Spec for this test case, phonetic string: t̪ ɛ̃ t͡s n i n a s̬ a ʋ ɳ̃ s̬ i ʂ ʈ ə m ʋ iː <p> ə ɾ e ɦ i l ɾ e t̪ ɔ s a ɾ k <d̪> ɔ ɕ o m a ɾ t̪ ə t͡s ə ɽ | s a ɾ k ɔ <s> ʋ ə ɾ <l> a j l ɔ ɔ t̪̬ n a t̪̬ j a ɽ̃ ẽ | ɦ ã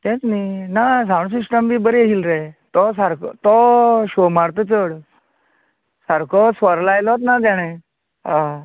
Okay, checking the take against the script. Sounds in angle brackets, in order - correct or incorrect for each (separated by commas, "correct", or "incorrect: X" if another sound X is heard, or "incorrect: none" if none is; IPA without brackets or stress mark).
incorrect: b, incorrect: t̪, correct, correct